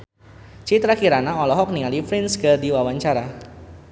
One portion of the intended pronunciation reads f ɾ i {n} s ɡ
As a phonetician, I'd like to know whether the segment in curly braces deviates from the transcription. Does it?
no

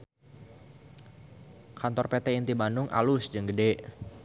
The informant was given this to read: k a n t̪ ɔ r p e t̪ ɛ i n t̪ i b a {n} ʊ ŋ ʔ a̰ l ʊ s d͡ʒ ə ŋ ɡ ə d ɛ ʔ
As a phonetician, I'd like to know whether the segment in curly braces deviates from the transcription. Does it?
no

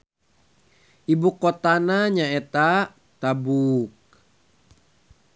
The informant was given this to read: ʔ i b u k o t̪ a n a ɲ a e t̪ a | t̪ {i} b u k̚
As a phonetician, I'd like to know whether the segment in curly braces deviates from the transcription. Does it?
yes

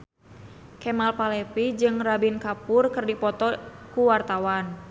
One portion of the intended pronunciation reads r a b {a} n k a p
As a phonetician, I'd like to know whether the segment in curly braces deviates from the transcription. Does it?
yes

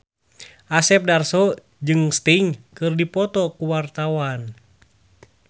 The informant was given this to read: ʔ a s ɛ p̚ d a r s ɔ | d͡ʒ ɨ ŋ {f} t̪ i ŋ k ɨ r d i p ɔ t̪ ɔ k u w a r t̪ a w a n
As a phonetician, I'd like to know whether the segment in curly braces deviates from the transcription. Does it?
yes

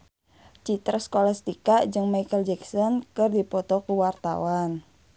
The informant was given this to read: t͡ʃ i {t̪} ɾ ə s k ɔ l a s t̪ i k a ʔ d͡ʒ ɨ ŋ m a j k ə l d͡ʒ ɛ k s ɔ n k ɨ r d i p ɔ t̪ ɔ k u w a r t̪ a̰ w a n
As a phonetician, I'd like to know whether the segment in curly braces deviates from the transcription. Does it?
no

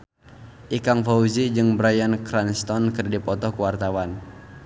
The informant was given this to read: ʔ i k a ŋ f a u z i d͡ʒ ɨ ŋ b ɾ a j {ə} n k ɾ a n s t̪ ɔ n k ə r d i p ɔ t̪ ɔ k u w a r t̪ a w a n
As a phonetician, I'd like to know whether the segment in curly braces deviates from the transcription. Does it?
yes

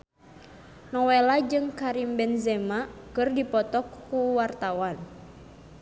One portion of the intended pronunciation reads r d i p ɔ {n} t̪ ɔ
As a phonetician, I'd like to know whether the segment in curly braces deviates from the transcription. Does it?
yes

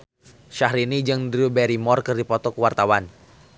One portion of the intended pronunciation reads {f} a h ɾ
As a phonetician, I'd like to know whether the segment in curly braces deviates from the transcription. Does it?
yes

